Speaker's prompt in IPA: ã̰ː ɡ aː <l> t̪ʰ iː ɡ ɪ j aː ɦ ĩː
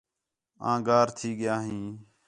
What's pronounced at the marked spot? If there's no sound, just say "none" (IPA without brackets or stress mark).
ɾ